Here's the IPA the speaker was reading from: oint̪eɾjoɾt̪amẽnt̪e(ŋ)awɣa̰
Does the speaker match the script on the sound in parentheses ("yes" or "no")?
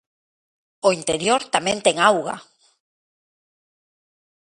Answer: yes